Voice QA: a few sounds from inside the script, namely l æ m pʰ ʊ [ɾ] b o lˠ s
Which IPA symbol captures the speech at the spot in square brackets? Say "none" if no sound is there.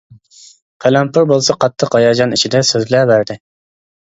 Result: ɾ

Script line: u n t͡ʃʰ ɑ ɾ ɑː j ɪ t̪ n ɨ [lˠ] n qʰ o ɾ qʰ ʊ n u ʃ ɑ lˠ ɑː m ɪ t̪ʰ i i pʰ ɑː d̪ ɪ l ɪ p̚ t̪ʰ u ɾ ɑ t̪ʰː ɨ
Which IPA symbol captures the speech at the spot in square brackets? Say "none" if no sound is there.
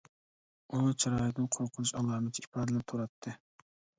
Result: none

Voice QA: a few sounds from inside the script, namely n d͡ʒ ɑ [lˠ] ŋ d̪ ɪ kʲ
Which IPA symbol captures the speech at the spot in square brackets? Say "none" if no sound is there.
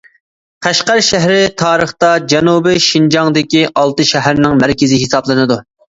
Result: none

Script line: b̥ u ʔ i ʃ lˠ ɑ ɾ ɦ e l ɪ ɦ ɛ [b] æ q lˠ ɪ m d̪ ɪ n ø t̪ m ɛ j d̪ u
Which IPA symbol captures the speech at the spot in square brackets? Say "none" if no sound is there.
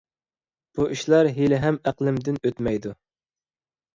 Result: m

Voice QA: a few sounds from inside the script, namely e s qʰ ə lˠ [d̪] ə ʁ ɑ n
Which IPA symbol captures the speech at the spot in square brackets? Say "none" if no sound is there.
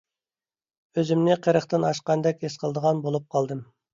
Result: d̪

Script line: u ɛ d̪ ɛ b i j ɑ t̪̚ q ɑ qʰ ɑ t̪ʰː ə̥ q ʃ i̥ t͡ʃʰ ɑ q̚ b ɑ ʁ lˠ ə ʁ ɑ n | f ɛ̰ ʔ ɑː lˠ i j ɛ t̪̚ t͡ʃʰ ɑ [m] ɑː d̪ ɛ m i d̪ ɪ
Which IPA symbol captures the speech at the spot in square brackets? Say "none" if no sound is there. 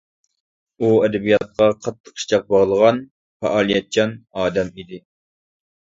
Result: n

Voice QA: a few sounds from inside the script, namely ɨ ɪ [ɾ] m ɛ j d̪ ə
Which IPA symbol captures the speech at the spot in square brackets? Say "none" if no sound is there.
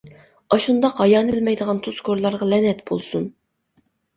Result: l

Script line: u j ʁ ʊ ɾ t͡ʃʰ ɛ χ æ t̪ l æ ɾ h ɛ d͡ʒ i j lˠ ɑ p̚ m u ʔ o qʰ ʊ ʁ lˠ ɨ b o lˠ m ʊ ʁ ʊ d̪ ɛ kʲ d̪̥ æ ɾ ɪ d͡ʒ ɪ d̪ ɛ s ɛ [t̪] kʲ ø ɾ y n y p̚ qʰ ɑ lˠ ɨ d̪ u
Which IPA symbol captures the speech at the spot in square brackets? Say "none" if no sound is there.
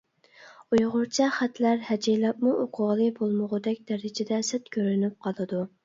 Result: t̪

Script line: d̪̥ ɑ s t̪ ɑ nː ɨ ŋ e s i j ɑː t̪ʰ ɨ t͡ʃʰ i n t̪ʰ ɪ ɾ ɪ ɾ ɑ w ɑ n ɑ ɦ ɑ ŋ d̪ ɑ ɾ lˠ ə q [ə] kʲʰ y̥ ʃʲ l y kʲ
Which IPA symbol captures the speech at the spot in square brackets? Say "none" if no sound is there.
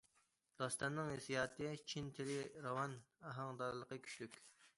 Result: ə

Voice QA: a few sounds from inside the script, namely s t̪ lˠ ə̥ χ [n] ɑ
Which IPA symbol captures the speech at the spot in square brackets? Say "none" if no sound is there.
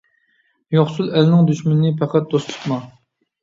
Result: m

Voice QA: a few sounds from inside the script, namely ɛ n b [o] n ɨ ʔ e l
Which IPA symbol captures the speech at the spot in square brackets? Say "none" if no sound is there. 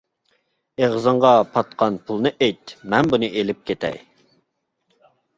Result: u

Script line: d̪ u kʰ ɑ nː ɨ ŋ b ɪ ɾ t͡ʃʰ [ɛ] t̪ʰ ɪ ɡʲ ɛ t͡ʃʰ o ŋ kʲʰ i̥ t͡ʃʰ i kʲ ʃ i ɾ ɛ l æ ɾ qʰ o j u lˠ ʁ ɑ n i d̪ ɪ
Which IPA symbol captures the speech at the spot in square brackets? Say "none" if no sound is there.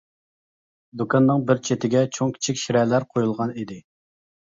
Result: e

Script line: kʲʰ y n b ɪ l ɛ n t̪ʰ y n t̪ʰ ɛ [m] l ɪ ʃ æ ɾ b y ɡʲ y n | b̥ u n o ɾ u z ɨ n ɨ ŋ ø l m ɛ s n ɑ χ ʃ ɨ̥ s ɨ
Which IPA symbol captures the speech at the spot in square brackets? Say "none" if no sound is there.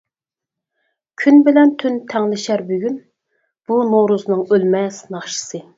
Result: ŋ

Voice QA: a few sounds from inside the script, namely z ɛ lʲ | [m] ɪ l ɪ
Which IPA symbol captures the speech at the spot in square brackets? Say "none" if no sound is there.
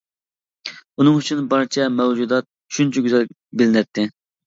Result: b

